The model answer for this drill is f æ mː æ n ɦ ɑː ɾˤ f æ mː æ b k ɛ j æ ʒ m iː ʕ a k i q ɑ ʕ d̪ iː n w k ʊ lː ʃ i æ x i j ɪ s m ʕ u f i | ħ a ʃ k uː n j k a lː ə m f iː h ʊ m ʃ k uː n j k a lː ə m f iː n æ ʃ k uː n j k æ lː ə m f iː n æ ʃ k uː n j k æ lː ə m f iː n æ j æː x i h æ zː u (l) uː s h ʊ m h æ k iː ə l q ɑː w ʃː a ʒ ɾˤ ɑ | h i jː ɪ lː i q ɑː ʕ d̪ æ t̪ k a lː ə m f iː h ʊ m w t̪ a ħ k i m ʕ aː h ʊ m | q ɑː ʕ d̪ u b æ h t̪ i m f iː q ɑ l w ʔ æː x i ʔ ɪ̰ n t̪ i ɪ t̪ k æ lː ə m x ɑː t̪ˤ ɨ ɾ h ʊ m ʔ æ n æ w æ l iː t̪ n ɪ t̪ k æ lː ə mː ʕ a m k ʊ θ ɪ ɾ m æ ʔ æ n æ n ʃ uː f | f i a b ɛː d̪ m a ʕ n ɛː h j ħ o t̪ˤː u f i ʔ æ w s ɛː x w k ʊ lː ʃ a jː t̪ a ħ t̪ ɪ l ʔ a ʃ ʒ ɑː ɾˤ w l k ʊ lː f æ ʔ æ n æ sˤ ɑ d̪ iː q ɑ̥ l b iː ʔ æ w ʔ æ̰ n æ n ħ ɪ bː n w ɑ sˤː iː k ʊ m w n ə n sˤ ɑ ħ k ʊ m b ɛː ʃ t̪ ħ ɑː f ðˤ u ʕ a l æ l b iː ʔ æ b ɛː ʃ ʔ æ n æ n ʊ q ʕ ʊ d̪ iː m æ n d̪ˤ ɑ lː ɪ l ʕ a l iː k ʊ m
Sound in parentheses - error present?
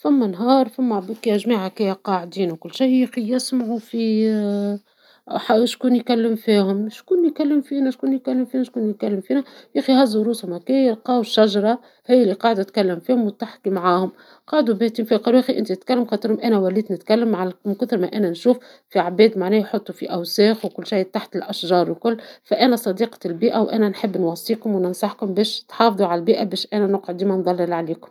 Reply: yes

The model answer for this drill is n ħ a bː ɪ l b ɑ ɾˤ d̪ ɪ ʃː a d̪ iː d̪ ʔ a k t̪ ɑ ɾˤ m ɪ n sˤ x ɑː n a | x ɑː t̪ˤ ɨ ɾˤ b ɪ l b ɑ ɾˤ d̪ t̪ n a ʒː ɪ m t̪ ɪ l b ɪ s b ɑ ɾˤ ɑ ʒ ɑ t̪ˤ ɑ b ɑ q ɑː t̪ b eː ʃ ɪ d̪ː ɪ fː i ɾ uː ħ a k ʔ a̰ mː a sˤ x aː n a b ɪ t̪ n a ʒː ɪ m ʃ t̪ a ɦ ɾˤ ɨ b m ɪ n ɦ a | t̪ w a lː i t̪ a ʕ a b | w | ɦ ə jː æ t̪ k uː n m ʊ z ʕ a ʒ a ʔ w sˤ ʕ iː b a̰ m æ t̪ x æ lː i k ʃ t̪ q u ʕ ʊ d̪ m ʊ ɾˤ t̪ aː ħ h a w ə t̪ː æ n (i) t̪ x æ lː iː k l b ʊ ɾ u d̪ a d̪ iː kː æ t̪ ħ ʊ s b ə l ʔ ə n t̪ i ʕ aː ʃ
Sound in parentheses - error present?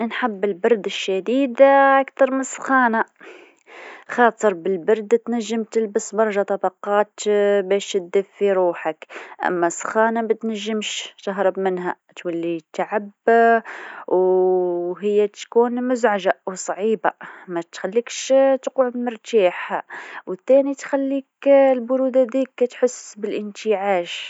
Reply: no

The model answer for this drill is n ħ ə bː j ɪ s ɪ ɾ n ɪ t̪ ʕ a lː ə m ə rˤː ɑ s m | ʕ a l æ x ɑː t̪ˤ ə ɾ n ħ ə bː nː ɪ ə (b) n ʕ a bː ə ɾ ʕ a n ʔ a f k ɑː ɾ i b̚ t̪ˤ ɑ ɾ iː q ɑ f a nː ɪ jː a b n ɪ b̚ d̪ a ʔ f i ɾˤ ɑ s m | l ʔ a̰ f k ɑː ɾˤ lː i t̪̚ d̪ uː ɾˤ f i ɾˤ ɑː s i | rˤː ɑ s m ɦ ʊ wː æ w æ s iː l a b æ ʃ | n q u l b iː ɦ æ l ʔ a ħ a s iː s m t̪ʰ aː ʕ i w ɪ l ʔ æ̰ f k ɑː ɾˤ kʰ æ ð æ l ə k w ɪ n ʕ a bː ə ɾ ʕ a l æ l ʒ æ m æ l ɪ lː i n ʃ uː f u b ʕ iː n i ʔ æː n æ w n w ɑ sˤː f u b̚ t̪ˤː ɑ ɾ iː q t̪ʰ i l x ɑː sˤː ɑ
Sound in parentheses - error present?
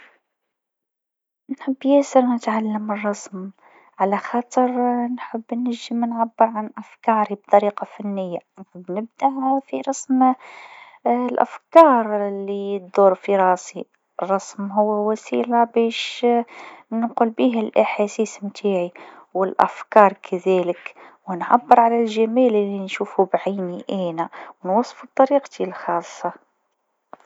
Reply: yes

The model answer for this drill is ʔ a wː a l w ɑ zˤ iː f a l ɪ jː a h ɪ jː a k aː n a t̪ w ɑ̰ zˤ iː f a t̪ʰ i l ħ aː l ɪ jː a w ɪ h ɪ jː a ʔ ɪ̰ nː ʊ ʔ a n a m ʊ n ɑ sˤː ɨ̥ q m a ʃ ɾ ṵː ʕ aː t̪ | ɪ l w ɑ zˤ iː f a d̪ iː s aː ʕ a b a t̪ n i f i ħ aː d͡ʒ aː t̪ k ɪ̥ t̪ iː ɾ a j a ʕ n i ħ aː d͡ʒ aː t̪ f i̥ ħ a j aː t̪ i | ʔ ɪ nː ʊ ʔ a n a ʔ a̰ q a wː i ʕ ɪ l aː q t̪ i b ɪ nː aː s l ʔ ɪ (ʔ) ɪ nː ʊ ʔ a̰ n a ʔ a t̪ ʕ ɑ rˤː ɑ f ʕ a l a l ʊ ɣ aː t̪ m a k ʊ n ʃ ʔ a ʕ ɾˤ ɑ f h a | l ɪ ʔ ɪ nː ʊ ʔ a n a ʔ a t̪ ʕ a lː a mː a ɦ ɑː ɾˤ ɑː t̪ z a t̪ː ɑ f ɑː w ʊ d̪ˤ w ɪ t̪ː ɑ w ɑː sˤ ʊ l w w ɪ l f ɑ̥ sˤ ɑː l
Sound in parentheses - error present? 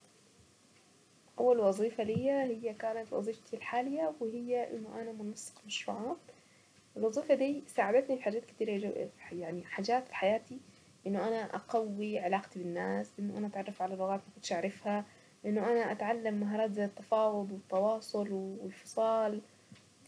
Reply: no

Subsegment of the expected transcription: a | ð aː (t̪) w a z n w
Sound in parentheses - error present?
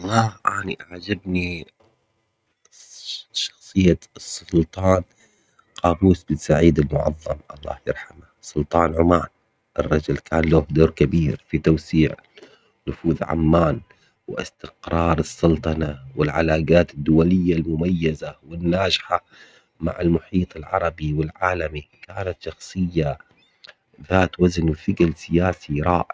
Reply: no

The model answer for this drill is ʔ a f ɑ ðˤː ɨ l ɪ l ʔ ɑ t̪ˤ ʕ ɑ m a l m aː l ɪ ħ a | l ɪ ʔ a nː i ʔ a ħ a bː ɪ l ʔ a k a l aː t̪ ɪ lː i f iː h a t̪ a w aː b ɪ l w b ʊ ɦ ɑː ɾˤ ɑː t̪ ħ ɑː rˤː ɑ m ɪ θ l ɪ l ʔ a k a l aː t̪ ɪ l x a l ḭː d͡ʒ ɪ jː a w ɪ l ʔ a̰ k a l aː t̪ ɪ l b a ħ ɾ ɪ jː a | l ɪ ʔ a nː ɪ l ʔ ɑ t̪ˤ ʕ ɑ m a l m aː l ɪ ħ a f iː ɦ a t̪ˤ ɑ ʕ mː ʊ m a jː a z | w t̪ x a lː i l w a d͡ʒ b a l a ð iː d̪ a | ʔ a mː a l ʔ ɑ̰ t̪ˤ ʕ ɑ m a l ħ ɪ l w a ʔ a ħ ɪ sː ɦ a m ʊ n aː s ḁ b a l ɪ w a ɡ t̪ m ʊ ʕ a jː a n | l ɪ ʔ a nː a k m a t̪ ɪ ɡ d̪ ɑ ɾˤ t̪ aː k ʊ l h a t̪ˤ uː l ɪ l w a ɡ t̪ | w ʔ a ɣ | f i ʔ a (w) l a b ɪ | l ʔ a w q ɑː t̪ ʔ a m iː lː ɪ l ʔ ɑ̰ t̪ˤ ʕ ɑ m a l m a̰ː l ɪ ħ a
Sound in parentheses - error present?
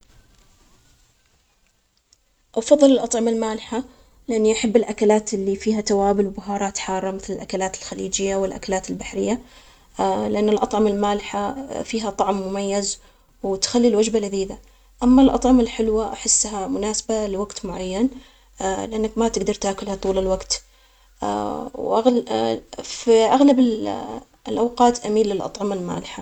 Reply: yes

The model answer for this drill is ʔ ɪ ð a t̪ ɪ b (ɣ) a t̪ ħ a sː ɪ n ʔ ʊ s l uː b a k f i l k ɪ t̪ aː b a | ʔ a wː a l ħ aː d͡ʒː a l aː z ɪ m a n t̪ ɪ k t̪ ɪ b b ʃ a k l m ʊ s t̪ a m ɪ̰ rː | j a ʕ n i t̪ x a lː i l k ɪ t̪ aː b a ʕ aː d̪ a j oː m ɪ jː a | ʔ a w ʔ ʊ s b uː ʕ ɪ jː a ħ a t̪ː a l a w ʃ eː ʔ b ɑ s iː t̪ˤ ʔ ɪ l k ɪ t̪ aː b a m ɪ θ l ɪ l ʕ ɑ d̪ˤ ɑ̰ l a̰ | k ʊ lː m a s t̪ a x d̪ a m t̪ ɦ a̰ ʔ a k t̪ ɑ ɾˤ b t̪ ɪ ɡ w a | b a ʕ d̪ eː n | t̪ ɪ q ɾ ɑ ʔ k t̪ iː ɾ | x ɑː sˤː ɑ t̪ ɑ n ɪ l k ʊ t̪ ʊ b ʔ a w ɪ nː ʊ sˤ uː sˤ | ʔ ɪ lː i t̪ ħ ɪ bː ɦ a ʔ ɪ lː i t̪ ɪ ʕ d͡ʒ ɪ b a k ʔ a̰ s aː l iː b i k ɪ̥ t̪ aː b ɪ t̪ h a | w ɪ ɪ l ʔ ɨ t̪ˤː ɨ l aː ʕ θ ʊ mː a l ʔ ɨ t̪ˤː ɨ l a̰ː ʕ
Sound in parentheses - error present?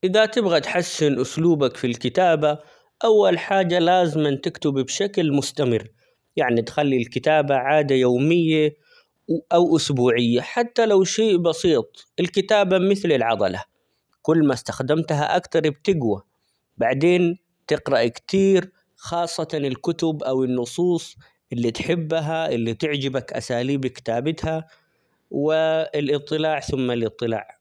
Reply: no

